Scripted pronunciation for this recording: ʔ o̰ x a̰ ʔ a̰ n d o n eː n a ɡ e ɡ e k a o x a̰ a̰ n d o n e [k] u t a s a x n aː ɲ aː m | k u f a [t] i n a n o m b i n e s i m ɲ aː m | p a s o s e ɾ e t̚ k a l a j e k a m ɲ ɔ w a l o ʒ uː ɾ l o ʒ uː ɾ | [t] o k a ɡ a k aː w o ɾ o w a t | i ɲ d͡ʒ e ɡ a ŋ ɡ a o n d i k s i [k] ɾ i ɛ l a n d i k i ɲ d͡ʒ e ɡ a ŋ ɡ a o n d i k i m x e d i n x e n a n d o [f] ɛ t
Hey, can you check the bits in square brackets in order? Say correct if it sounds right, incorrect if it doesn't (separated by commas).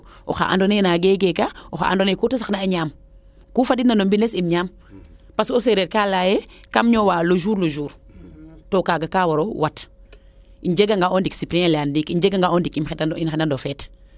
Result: correct, incorrect, correct, incorrect, correct